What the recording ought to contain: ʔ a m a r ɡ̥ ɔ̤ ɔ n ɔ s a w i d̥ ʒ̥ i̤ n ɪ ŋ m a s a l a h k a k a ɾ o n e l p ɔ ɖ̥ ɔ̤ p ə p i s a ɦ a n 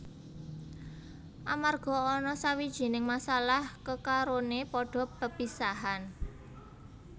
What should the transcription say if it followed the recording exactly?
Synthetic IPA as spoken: ʔ a m a r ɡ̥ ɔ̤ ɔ n ɔ s a w i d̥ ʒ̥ i̤ n ɪ ŋ m a s a l a h k ə k a ɾ o n e p ɔ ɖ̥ ɔ̤ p ə p i s a ɦ a n